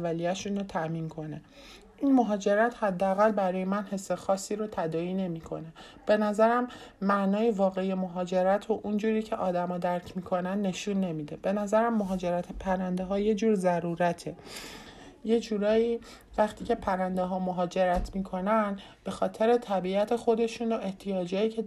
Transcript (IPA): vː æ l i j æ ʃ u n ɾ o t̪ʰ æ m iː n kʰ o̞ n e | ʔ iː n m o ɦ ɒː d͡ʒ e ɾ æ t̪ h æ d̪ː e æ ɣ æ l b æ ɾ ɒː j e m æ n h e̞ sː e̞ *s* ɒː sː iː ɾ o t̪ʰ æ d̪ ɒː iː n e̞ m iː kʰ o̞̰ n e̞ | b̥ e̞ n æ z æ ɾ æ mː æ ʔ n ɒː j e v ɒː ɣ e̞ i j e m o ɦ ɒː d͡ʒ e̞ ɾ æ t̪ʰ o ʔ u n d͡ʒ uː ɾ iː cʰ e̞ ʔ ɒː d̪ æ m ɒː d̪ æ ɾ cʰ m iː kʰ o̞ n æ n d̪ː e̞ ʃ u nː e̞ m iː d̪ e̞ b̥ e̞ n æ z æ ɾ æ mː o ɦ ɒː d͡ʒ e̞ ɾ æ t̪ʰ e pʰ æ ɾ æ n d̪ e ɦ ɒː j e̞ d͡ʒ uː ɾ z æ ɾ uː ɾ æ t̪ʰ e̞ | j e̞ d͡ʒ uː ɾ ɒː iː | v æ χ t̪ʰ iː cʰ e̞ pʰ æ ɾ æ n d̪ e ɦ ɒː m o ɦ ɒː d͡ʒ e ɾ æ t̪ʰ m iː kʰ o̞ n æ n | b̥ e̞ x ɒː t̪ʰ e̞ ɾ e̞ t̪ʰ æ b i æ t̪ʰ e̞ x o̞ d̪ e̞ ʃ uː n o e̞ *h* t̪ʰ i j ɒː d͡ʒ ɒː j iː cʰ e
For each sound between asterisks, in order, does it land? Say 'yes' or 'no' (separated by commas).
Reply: no, yes